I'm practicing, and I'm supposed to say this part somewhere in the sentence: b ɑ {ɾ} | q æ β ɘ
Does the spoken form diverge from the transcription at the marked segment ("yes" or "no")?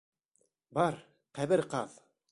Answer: no